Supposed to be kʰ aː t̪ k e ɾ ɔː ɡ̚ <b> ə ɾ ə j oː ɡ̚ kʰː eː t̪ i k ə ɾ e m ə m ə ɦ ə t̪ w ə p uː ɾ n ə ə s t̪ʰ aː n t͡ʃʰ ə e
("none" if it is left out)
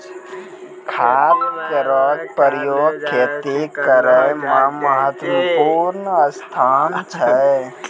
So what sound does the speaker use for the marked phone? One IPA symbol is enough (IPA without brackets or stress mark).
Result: p